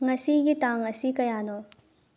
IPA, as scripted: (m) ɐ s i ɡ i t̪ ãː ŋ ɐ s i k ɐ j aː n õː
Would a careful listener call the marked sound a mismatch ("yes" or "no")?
yes